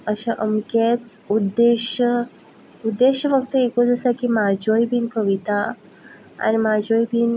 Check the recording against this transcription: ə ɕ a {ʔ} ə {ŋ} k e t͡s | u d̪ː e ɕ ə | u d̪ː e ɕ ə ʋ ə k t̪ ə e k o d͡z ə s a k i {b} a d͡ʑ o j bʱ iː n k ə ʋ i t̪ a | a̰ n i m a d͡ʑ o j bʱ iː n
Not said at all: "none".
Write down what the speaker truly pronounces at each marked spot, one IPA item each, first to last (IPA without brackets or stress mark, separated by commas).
ʔ, m, m